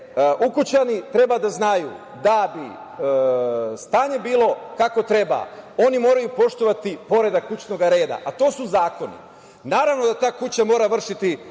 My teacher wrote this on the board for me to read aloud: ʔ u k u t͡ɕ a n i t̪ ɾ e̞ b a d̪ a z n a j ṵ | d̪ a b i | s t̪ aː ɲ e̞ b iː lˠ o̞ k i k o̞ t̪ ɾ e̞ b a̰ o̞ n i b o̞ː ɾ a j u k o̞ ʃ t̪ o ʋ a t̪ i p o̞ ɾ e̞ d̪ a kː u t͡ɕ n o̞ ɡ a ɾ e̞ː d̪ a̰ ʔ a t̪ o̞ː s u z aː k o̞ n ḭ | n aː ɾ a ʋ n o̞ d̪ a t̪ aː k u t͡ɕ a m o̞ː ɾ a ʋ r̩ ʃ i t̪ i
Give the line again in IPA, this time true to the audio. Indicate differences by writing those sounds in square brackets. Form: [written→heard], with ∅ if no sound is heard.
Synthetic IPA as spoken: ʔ u k u t͡ɕ a n i t̪ ɾ e̞ b a d̪ a z n a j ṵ | d̪ a b i | s t̪ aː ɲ e̞ b iː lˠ o̞ k [i→a] k o̞ t̪ ɾ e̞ b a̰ o̞ n i [b→m] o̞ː ɾ a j u [k→p] o̞ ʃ t̪ o ʋ a t̪ i p o̞ ɾ e̞ d̪ a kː u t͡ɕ n o̞ ɡ a ɾ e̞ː d̪ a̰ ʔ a t̪ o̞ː s u z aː k o̞ n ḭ | n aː ɾ a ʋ n o̞ d̪ a t̪ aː k u t͡ɕ a m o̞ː ɾ a ʋ r̩ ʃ i t̪ i

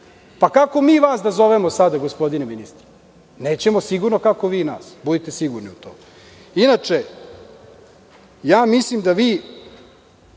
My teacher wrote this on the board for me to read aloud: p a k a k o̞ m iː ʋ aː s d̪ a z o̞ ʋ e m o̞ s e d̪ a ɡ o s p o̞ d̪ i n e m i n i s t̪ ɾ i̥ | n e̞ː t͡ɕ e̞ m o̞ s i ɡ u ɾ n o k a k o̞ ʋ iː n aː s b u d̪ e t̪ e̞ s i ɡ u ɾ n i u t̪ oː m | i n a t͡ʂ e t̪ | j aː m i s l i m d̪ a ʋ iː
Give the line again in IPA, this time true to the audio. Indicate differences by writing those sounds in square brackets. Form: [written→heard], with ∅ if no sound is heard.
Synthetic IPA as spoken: p a k a k o̞ m iː ʋ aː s d̪ a z o̞ ʋ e m o̞ s [e→a] d̪ a ɡ o s p o̞ d̪ i n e m i n i s t̪ ɾ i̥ | n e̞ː t͡ɕ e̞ m o̞ s i ɡ u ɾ n o k a k o̞ ʋ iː n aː s b u d̪ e t̪ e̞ s i ɡ u ɾ n i u t̪ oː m | i n a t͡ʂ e [t̪→∅] | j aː m i s l i m d̪ a ʋ iː

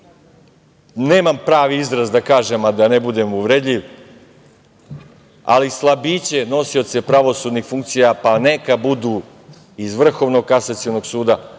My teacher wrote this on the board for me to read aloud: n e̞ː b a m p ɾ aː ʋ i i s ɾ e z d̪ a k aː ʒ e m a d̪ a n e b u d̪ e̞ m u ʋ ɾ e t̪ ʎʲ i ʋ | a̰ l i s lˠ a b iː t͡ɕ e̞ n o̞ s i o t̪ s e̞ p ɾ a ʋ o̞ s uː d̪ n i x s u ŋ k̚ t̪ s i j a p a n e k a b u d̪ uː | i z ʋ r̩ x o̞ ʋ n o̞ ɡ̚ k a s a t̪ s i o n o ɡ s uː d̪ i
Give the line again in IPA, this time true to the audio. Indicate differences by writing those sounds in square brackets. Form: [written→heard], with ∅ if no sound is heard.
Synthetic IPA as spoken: n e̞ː [b→m] a m p ɾ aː ʋ i i [s→z] ɾ [e→a] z d̪ a k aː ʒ e m a d̪ a n e b u d̪ e̞ m u ʋ ɾ e [t̪→d̪] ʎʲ i ʋ | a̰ l i s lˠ a b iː t͡ɕ e̞ n o̞ s i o t̪ s e̞ p ɾ a ʋ o̞ s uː d̪ n i x [s→f] u ŋ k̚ t̪ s i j a p a n e k a b u d̪ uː | i z ʋ r̩ x o̞ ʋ n o̞ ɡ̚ k a s a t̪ s i o n o ɡ s uː d̪ [i→a]

